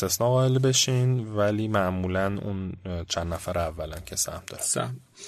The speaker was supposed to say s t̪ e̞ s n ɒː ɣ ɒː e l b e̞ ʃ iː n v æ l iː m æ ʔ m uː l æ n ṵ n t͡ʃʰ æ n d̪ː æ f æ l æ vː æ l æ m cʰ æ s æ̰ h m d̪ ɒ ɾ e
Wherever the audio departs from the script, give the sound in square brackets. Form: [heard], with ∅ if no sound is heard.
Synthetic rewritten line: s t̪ e̞ s n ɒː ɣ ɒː e l b e̞ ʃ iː n v æ l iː m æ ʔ m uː l æ n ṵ n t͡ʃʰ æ n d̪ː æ f æ [ɾ] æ vː æ l æ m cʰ [e] s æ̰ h m d̪ ɒ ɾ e